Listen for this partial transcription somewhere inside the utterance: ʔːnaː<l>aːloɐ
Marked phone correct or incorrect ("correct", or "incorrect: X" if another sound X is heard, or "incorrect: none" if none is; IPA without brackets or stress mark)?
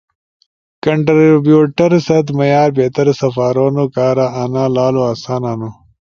correct